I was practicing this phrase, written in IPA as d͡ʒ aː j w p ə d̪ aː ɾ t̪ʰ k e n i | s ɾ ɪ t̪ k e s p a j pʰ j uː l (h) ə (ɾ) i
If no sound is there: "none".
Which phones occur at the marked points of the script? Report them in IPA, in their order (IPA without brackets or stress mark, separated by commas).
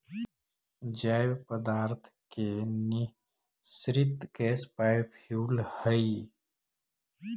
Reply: h, none